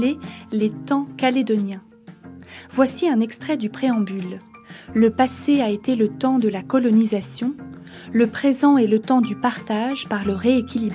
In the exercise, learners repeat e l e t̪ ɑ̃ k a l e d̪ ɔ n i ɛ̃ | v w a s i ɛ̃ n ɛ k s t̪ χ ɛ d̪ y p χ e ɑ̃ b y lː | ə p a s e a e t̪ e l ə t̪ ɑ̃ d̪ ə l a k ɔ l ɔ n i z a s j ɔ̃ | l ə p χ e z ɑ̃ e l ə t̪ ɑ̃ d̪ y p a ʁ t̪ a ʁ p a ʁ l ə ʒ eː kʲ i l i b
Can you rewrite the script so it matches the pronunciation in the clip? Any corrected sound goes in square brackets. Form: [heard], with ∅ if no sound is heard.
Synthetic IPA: e l e t̪ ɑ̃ k a l e d̪ ɔ n [j] ɛ̃ | v w a s i ɛ̃ n ɛ k s t̪ χ ɛ d̪ y p χ e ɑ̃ b y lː | ə p a s e a e t̪ e l ə t̪ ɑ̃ d̪ ə l a k ɔ l ɔ n i z a s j ɔ̃ | l ə p χ e z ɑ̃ e l ə t̪ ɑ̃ d̪ y p a ʁ t̪ a [ʒ] p a ʁ l ə [ʁ] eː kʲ i l i b